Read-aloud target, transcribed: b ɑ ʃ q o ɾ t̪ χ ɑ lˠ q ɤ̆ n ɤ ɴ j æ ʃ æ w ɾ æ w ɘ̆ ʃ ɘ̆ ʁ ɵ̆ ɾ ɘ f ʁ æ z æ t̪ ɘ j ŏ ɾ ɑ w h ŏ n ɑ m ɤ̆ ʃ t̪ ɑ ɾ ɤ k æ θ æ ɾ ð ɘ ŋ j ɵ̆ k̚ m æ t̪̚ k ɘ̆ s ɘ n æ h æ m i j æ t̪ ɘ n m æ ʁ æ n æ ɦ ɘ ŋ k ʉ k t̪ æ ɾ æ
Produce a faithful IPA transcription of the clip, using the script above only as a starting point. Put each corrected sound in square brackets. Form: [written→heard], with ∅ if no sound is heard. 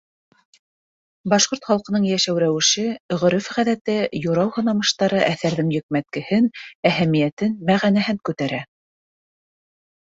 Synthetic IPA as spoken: b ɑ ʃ q o ɾ t̪ χ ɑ lˠ q ɤ̆ n ɤ ɴ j æ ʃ æ w ɾ æ w ɘ̆ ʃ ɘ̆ ʁ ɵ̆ ɾ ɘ f ʁ æ [z→ð] æ t̪ ɘ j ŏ ɾ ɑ w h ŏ n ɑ m ɤ̆ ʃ t̪ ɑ ɾ ɤ [k→ʔ] æ θ æ ɾ ð ɘ ŋ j ɵ̆ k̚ m æ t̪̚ k ɘ̆ [s→h] ɘ n æ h æ m i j æ t̪ ɘ n m æ ʁ æ n æ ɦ ɘ ŋ k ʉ [k→∅] t̪ æ ɾ æ